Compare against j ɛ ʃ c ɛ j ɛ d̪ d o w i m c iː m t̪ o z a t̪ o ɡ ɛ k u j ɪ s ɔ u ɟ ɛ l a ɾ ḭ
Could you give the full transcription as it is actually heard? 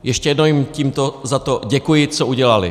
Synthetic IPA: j ɛ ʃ c ɛ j ɛ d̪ n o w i m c iː m t̪ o z a t̪ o ɟ ɛ k u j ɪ t͡s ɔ u ɟ ɛ l a l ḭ